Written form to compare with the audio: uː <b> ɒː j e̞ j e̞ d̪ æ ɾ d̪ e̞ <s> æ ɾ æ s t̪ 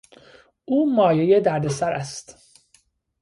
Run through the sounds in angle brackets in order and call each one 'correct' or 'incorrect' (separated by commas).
incorrect, correct